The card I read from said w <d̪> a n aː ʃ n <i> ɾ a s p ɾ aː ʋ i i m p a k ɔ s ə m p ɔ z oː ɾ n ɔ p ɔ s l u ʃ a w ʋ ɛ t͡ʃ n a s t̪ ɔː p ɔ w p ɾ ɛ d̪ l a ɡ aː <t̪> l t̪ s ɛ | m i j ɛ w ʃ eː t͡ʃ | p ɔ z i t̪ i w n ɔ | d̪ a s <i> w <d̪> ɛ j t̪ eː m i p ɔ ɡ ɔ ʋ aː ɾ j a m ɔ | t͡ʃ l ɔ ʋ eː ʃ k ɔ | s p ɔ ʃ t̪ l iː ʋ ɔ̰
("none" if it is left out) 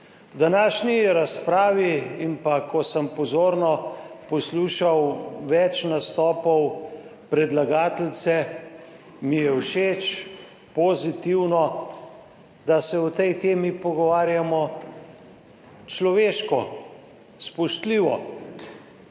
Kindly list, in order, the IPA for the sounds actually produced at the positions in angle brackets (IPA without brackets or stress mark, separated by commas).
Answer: d̪, i, t̪, ɛ, t̪